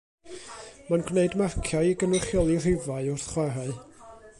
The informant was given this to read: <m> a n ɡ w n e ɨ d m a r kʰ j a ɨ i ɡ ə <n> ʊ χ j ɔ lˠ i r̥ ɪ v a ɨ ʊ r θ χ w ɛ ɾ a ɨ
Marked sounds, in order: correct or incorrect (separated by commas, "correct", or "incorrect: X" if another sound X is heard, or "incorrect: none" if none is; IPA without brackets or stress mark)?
correct, correct